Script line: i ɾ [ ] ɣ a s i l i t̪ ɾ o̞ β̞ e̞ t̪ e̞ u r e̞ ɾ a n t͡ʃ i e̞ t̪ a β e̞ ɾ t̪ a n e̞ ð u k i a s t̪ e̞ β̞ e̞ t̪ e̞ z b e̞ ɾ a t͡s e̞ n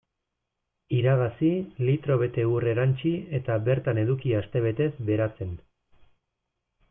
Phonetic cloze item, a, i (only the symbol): a